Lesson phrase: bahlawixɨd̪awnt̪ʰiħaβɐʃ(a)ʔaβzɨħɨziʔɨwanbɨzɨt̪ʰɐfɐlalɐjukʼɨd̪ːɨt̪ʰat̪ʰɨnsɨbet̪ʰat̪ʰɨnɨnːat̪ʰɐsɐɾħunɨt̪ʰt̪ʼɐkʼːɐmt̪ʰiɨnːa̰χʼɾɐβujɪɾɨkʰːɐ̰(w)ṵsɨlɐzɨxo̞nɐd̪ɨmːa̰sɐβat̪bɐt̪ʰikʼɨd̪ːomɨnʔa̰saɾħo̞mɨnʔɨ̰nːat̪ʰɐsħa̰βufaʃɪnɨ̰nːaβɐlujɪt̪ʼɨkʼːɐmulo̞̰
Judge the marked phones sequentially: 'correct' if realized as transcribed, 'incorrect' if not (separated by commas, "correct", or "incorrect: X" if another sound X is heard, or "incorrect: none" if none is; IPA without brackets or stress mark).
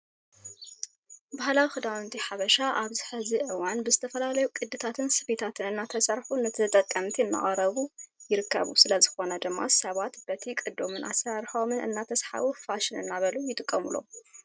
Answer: correct, incorrect: β